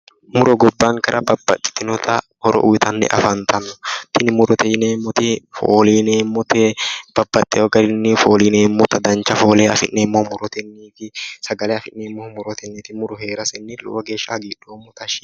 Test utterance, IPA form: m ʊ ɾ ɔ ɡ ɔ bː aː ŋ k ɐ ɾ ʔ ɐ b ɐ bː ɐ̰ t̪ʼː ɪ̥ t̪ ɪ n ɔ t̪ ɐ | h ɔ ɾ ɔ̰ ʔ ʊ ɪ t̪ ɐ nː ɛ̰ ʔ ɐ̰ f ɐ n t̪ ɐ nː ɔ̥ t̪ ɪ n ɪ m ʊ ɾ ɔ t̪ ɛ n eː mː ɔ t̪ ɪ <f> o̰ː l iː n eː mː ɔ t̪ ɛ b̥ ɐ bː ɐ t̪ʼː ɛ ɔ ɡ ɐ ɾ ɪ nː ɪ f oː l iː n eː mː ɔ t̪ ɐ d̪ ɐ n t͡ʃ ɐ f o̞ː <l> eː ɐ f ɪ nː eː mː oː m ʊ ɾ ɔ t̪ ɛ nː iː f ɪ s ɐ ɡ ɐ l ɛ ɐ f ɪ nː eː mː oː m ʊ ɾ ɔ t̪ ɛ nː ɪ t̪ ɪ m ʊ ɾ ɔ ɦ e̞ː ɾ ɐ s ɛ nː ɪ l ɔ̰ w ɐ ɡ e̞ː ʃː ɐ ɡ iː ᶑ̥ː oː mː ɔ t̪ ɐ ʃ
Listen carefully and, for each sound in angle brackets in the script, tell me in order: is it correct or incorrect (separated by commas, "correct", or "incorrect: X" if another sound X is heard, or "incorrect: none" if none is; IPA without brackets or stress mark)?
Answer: correct, correct